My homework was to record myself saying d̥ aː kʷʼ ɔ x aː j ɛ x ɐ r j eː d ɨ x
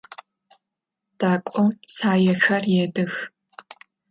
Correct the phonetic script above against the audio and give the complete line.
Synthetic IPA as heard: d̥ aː kʷʼ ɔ s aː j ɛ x ɐ r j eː d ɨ x